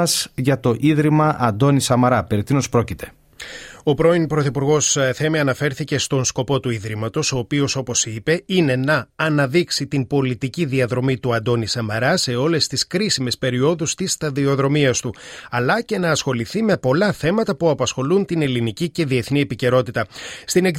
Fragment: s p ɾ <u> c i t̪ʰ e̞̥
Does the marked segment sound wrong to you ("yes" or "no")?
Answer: yes